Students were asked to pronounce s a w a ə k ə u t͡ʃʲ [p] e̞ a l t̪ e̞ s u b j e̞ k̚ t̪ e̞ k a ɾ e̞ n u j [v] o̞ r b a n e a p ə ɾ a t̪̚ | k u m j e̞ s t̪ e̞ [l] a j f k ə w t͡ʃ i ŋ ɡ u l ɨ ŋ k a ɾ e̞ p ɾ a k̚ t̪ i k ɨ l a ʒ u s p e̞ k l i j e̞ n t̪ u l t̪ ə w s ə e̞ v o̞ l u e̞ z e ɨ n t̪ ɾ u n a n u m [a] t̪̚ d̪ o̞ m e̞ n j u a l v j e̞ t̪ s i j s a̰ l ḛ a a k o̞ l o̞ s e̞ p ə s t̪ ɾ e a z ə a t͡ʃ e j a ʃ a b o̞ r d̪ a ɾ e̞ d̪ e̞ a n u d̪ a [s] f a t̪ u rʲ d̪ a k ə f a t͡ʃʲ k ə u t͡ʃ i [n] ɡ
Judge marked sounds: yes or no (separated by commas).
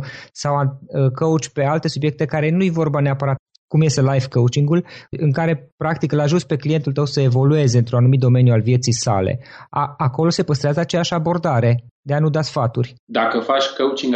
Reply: yes, yes, yes, no, yes, no